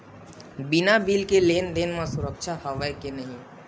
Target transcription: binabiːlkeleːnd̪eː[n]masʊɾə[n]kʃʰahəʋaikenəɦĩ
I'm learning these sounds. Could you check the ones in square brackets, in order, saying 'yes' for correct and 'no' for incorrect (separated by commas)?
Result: yes, no